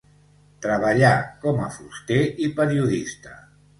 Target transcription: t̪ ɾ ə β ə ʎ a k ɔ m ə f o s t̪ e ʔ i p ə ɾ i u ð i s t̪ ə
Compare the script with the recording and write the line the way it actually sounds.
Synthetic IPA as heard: t̪ ɾ ə β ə ʎ a k ɔ m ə f u s t̪ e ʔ i p ə ɾ i u ð i s t̪ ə